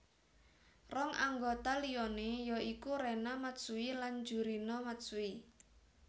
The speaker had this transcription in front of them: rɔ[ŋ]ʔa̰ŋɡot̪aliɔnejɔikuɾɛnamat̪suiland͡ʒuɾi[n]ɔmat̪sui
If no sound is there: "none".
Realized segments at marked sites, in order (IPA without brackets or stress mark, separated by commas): ŋ, n